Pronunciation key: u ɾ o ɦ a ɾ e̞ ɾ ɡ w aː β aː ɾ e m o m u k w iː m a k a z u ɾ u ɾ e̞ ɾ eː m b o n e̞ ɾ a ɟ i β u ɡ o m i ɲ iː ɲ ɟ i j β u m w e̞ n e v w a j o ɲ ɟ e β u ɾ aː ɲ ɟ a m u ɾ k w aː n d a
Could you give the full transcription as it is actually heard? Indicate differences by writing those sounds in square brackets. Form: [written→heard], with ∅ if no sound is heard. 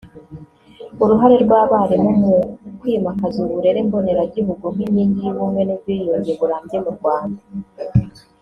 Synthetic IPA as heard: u ɾ [o→u] ɦ a ɾ e̞ ɾ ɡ w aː β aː ɾ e m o m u k w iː m a k a z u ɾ u ɾ e̞ ɾ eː m b o n e̞ ɾ a ɟ i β u ɡ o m i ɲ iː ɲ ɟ i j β u m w e̞ n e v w [a→i] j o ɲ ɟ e β u ɾ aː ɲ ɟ [a→e] m u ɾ [k→ɡ] w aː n d a